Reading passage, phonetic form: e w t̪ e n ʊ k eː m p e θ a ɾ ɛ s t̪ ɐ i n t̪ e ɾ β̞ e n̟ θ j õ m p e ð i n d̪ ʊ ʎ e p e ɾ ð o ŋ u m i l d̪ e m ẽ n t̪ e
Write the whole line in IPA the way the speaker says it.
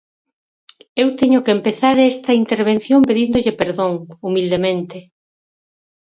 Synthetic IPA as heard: e w t̪ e ɲ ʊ k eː m p e θ a ɾ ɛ s t̪ ɐ i n t̪ e ɾ β̞ e n̟ θ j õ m p e ð i n d̪ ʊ ʎ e p e ɾ ð o ŋ u m i l d̪ e m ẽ n t̪ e